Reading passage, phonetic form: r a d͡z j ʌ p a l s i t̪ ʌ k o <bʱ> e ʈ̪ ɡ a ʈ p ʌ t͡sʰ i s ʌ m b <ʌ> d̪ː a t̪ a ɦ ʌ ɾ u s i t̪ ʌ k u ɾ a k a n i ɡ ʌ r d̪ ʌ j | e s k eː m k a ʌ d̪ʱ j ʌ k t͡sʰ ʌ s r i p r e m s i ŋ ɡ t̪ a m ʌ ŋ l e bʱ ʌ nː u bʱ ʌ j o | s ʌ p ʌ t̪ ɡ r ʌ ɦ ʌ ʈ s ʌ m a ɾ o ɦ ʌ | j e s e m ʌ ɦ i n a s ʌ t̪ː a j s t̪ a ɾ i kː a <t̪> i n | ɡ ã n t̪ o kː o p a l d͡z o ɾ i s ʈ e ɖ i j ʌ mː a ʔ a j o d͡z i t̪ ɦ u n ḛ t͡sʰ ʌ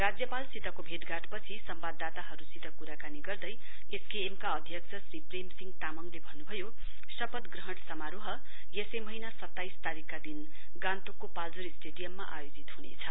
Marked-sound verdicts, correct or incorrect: correct, incorrect: a, incorrect: d̪

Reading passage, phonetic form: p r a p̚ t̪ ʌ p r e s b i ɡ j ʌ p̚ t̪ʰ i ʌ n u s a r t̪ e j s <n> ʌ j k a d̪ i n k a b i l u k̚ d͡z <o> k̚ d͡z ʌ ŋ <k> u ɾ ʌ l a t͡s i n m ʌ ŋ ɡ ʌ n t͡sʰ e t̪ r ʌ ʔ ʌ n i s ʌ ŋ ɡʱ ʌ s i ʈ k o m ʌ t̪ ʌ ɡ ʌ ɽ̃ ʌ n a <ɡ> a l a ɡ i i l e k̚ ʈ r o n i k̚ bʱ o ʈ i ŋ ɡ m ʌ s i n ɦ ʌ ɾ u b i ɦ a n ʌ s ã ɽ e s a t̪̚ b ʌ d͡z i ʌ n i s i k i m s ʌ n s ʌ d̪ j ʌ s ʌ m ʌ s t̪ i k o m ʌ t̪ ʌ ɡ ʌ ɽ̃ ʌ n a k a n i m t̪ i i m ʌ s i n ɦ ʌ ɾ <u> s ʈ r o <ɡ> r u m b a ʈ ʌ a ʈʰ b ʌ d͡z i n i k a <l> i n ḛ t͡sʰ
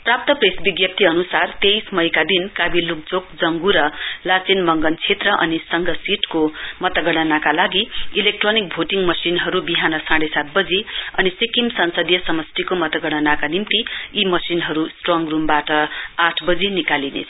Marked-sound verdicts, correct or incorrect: incorrect: m, correct, incorrect: ɡ, incorrect: k, correct, incorrect: ŋ, correct

